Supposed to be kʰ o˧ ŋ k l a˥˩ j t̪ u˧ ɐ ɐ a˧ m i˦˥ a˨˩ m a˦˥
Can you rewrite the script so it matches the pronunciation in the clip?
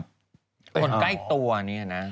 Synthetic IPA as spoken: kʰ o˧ n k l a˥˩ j t̪ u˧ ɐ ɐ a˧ n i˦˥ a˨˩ n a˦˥